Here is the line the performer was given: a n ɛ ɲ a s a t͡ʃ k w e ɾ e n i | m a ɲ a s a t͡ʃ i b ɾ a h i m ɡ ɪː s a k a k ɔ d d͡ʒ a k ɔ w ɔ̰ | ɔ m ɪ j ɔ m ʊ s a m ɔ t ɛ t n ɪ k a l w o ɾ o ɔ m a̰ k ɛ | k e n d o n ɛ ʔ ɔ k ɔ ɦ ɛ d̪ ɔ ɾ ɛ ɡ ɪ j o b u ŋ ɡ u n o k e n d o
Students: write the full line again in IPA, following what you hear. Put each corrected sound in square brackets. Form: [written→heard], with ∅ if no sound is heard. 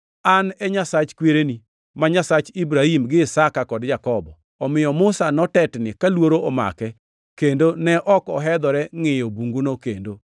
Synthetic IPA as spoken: a n ɛ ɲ a s a t͡ʃ k w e ɾ e n i | m a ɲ a s a t͡ʃ i b ɾ a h i m ɡ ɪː s a k a k ɔ d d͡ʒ a k ɔ [w→b] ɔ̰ | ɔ m ɪ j ɔ m ʊ s a [m→n] ɔ t ɛ t n ɪ k a l w o ɾ o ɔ m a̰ k ɛ | k e n d o n ɛ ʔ ɔ k ɔ ɦ ɛ d̪ ɔ ɾ ɛ [ɡ→ŋ] ɪ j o b u ŋ ɡ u n o k e n d o